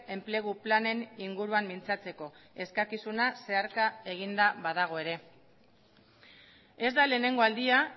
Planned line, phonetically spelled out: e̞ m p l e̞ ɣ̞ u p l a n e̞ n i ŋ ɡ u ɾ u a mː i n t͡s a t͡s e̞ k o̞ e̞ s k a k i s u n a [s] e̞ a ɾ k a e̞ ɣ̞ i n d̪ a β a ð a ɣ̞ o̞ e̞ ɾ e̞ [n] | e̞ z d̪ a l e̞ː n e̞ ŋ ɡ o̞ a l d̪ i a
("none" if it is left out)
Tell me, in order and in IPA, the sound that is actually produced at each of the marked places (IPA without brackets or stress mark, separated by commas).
s, none